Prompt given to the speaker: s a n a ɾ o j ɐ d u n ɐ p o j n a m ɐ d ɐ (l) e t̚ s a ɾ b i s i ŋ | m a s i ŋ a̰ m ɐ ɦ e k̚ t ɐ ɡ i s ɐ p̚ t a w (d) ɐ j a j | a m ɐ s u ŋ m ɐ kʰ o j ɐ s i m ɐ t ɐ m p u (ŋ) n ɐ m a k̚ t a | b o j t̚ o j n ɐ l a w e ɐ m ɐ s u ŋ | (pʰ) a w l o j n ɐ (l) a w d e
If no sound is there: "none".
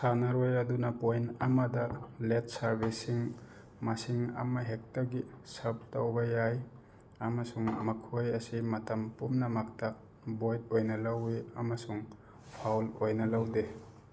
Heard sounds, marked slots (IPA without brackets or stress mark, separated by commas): l, b, m, pʰ, l